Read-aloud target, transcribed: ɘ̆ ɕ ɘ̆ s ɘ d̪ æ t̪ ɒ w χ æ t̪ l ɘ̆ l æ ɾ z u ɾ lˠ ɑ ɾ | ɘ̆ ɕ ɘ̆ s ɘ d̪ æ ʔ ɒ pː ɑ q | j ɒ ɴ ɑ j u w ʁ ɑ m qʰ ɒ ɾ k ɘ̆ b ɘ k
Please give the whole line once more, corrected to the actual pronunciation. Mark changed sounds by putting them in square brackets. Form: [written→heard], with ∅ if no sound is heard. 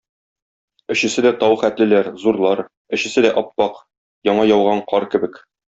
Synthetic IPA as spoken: ɘ̆ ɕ ɘ̆ s ɘ d̪ æ t̪ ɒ w χ æ t̪ l ɘ̆ l æ ɾ z u ɾ lˠ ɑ ɾ | ɘ̆ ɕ ɘ̆ s ɘ d̪ æ ʔ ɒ pː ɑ q | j ɒ ɴ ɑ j [u→ɒ] w ʁ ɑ [m→ɴ] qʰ ɒ ɾ k ɘ̆ b ɘ k